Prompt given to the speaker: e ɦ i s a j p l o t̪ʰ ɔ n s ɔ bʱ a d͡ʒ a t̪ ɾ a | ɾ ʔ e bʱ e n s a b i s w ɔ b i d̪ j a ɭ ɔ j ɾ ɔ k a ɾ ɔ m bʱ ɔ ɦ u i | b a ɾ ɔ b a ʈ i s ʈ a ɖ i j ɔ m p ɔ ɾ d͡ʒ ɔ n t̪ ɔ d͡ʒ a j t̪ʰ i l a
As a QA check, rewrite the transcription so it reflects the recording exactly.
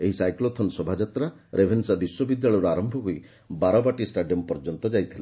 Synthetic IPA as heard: e ɦ i s a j k l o t̪ʰ ɔ n s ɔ bʱ a d͡ʒ a t̪ ɾ a | ɾ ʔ e bʱ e n s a b i s w ɔ b i d̪ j a ɭ ɔ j ɾ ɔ a ɾ ɔ m bʱ ɔ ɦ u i | b a ɾ ɔ b a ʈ i s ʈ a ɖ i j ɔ m p ɔ ɾ d͡ʒ ɔ n t̪ ɔ d͡ʒ a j t̪ʰ i l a